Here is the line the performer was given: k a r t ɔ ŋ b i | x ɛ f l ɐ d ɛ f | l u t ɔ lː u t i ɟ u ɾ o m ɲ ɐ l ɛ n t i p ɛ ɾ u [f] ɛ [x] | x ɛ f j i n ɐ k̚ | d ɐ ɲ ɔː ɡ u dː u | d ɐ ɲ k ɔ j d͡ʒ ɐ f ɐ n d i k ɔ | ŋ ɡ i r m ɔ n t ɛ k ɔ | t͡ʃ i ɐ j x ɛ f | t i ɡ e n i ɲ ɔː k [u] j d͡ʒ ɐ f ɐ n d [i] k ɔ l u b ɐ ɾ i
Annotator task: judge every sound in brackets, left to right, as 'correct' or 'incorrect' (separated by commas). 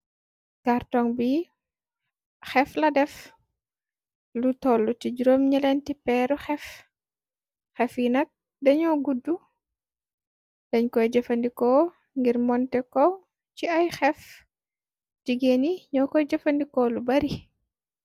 incorrect, incorrect, incorrect, correct